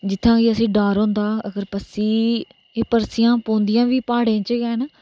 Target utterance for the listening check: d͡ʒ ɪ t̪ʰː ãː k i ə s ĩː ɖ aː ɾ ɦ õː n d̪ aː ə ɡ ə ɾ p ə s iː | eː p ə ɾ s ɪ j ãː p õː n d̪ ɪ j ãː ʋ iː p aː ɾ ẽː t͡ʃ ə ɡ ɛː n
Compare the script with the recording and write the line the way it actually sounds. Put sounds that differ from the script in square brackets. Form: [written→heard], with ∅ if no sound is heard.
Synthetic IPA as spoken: d͡ʒ ɪ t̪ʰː ãː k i ə s ĩː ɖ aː ɾ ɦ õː n d̪ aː ə ɡ ə ɾ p ə s iː | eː p ə ɾ s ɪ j ãː p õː n d̪ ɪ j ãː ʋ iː p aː [ɾ→ɽ] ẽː t͡ʃ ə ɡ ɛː n

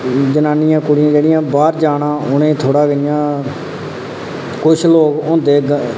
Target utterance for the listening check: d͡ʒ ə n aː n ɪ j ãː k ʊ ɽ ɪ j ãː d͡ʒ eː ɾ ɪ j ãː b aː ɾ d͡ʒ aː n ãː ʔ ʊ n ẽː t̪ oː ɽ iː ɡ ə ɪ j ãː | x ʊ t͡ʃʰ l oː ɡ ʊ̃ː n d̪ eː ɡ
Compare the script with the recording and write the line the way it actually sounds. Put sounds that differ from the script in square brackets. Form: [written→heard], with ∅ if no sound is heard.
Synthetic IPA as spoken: d͡ʒ ə n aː n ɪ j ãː k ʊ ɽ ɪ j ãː d͡ʒ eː [ɾ→ɽ] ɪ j ãː b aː ɾ d͡ʒ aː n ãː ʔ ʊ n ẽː [t̪→t̪ʰ] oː ɽ [iː→aː] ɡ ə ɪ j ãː | [x→k] ʊ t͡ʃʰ l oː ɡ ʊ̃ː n d̪ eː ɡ

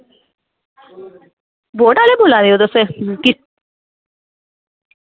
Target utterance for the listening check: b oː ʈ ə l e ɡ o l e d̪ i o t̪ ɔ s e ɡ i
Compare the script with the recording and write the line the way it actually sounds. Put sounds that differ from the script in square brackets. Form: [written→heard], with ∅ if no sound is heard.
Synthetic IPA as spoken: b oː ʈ [ə→a] l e [ɡ→b] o l [e→a] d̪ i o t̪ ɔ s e [ɡ→k] i

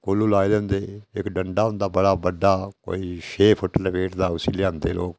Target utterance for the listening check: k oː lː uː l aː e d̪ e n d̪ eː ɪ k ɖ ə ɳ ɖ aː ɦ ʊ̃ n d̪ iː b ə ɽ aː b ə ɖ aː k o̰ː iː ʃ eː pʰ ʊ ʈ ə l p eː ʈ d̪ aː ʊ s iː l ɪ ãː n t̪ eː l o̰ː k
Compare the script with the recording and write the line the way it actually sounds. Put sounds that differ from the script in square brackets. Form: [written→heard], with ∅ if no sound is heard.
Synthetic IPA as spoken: k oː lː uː l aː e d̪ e n d̪ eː ɪ k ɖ ə ɳ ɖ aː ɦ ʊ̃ n d̪ [iː→aː] b ə ɽ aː b ə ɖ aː k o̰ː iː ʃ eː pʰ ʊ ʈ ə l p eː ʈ d̪ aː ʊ s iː l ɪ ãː n [t̪→d̪] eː l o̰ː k

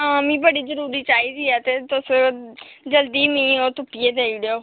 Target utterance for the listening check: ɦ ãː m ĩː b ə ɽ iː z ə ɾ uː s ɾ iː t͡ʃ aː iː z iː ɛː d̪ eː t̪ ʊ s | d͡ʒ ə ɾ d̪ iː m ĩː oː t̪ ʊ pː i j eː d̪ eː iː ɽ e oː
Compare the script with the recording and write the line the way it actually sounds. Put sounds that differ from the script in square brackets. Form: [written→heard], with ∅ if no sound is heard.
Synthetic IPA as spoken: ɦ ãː m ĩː b ə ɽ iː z ə ɾ uː [s→∅] ɾ iː t͡ʃ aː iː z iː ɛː [d̪→t̪] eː t̪ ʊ s | d͡ʒ ə [ɾ→l] d̪ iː m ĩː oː t̪ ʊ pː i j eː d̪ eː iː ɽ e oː

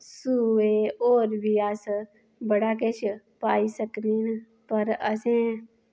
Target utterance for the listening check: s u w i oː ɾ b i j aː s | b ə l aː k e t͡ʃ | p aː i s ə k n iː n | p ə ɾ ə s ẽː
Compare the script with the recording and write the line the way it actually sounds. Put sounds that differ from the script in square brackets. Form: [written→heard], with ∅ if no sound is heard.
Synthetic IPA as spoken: s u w [i→e] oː ɾ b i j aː s | b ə [l→ɽ] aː k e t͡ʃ | p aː i s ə k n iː n | p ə ɾ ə s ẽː

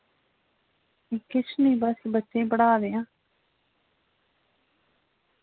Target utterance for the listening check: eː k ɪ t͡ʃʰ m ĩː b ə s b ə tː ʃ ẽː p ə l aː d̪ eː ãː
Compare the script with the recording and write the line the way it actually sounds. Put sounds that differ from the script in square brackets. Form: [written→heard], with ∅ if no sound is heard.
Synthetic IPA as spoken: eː k ɪ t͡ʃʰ [m→n] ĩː b ə s b ə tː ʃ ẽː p ə [l→ɽ] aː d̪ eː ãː

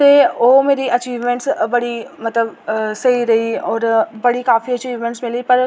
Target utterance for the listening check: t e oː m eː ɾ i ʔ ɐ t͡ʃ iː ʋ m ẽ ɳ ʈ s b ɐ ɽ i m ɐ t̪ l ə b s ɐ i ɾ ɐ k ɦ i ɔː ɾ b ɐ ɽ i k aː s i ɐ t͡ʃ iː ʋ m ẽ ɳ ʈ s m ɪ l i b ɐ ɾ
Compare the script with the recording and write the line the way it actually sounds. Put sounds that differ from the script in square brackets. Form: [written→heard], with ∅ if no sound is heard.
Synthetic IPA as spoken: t e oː m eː ɾ i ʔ ɐ t͡ʃ iː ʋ m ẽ ɳ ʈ s b ɐ ɽ i m ɐ t̪ l ə b s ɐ i ɾ ɐ [k→∅] ɦ i ɔː ɾ b ɐ ɽ i k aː [s→f] i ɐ t͡ʃ iː ʋ m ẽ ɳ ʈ s m ɪ l i [b→p] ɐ ɾ

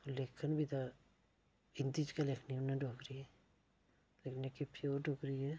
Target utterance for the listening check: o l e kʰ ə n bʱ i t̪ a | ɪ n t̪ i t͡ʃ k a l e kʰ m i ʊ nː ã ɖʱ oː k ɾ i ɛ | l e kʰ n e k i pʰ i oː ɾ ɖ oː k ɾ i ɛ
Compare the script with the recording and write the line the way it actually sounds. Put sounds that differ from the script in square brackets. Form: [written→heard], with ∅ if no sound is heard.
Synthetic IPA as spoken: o l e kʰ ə n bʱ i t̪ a | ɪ n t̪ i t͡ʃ k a l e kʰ [m→n] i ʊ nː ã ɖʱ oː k ɾ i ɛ | l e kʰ n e k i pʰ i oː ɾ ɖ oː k ɾ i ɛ

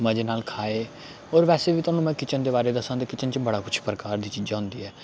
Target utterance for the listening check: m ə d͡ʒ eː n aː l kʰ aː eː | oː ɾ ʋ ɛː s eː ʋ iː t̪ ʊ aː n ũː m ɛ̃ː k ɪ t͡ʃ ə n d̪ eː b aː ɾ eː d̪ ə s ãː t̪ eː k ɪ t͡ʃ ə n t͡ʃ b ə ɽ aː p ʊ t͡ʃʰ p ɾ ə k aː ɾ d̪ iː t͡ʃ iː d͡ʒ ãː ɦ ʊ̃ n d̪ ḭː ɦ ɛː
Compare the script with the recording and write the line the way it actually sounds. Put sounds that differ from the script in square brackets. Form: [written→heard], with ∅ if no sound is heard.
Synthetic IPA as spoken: m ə d͡ʒ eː n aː l kʰ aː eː | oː ɾ ʋ ɛː s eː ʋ iː t̪ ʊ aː n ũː m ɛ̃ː k ɪ t͡ʃ ə n d̪ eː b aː ɾ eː d̪ ə s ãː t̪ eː k ɪ t͡ʃ ə n t͡ʃ b ə ɽ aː [p→k] ʊ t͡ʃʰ p ɾ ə k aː ɾ d̪ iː t͡ʃ iː d͡ʒ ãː ɦ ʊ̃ n d̪ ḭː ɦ ɛː

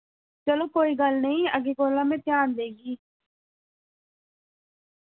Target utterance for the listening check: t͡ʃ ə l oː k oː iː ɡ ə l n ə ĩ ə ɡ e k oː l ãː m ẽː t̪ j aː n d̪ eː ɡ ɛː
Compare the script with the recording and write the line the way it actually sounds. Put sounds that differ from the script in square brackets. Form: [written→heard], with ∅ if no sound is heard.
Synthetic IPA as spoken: t͡ʃ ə l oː k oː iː ɡ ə l n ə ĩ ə ɡ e k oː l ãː m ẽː t̪ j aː n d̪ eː ɡ [ɛː→iː]

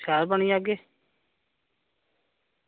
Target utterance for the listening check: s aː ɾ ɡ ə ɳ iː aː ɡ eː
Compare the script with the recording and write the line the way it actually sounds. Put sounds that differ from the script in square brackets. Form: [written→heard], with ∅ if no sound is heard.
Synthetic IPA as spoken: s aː ɾ [ɡ→b] ə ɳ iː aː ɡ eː

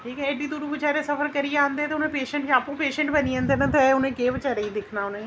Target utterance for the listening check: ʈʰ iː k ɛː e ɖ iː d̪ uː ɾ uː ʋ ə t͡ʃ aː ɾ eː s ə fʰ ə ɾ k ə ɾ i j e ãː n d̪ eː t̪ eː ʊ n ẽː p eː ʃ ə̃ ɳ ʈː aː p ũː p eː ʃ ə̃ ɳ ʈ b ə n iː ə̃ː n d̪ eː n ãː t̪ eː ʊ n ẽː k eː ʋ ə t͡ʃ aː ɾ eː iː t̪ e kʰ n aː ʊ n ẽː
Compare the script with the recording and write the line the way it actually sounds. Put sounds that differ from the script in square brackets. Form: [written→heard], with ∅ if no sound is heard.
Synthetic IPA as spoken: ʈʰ iː k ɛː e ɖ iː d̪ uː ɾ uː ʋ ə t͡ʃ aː ɾ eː s ə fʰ ə ɾ k ə ɾ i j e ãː n d̪ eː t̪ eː ʊ n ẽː p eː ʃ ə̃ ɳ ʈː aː p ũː p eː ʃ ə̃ ɳ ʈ b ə n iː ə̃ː n d̪ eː n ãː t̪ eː ʊ n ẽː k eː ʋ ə t͡ʃ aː ɾ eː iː [t̪→d̪] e kʰ n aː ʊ n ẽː

